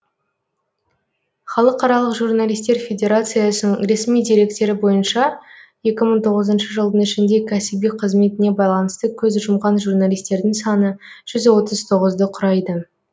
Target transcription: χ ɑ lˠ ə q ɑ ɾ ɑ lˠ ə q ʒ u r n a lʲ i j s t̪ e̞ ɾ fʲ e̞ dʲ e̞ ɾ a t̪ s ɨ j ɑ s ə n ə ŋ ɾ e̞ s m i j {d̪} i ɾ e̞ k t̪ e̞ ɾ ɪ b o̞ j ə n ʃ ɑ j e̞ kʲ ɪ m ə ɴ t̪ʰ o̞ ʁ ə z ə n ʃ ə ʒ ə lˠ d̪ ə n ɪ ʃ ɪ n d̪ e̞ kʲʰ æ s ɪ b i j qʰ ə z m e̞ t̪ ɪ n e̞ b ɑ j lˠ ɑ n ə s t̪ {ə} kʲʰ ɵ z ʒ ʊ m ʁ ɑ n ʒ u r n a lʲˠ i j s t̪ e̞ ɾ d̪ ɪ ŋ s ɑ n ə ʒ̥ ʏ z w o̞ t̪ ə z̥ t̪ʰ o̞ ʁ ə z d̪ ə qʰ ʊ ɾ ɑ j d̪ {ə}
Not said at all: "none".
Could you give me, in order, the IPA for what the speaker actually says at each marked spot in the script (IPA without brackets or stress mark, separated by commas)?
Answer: d̪, ə, ə